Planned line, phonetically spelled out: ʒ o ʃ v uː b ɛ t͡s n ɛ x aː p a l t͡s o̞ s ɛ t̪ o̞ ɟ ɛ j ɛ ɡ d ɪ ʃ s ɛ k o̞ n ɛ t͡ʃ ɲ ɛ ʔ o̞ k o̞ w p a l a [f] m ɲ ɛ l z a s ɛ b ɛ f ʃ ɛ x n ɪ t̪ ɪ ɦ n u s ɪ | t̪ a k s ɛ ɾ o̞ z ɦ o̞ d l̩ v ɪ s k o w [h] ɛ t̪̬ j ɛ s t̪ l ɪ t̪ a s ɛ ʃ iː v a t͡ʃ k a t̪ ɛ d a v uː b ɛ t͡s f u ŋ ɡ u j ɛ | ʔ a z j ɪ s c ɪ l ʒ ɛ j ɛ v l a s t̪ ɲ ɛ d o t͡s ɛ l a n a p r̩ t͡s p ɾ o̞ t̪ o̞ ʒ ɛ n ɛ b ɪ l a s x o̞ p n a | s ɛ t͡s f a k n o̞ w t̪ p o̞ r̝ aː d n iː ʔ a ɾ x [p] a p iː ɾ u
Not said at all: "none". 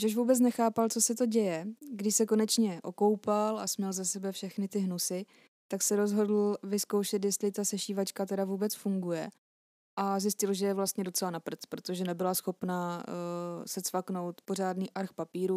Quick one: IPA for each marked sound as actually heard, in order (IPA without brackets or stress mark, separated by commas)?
s, ʃ, p